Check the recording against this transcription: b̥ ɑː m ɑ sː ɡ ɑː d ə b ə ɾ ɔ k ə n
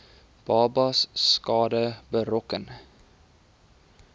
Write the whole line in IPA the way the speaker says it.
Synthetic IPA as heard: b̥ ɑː b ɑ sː k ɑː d ə b ə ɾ ɔ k ə n